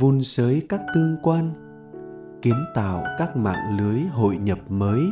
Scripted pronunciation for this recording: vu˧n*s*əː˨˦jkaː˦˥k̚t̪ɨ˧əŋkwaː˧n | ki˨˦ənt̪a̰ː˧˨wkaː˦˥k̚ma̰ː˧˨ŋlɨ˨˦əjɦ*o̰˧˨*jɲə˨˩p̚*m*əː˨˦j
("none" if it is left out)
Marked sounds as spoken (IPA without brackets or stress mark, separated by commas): s, o̰˧˨, m